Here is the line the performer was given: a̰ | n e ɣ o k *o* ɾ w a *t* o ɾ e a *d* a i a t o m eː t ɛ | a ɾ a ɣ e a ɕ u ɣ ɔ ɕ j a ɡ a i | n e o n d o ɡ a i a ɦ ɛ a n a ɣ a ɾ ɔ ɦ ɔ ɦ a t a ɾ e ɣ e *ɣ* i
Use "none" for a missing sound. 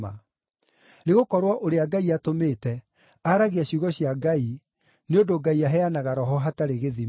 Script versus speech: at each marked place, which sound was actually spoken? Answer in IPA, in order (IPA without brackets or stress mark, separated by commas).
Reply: ɔ, ʔ, ɡ, ð